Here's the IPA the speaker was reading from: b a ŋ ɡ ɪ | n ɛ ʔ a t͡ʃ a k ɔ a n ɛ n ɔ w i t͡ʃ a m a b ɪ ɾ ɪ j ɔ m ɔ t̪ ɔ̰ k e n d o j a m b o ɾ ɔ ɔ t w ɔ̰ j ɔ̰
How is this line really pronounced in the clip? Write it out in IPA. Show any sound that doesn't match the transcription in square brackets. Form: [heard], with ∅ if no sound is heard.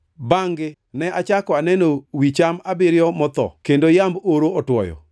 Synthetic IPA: b a ŋ ɡ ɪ | n ɛ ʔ a t͡ʃ a k ɔ a n ɛ n [o] w i t͡ʃ a m a b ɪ ɾ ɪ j ɔ m ɔ t̪ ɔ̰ k e n d o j a m b o ɾ [o] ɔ t w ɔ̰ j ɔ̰